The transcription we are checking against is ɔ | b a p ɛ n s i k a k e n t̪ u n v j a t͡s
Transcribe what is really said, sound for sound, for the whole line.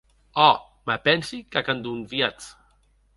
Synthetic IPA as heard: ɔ | m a p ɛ n s i k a k a n d̪ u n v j a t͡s